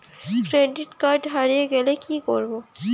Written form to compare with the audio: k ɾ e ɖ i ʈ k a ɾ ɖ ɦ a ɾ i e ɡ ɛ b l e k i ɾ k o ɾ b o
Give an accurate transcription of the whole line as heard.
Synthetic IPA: k ɾ e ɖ i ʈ k a ɾ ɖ ɦ a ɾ i e ɡ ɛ l e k i k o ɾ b o